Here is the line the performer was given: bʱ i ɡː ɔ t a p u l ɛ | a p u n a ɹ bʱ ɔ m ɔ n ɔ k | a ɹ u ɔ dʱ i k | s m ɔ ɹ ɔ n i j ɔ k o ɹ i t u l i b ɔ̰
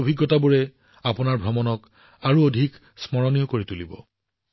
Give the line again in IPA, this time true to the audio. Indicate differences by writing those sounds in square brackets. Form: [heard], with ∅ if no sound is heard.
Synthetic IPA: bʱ i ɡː ɔ t a [b] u [ɹ] ɛ | a p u n a ɹ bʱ ɔ m ɔ n ɔ k | a ɹ u [o] dʱ i k | s m ɔ ɹ ɔ n i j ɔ k o ɹ i t u l i b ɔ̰